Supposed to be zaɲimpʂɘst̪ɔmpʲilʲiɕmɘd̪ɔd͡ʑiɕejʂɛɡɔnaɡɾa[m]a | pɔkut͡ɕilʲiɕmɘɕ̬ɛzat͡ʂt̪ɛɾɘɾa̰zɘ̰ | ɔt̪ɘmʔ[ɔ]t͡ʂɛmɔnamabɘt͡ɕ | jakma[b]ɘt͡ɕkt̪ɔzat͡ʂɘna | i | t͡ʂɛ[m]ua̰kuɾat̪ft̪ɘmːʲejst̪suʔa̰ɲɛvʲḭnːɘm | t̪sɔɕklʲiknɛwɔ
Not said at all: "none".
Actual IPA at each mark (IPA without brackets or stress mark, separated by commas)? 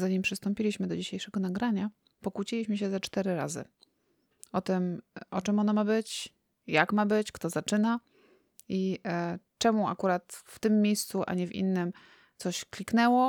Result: ɲ, ɔ, b, m